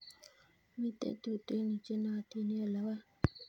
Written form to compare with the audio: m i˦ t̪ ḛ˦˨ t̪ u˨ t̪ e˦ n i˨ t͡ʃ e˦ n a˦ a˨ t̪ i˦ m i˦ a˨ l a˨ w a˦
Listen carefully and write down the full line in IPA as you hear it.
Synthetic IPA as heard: m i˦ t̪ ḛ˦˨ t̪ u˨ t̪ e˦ n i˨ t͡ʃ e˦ n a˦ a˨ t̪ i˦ n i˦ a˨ l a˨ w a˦

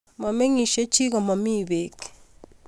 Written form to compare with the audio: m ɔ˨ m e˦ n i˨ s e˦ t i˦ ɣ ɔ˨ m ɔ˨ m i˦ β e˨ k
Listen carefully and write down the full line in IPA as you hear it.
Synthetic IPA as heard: m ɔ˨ m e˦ ŋ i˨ ʃ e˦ t͡ʃ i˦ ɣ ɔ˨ m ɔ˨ m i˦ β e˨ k

